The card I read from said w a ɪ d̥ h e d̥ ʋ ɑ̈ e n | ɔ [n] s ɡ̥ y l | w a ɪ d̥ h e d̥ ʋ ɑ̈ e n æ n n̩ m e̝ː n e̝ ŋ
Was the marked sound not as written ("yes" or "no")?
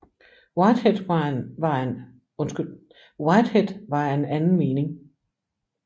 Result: no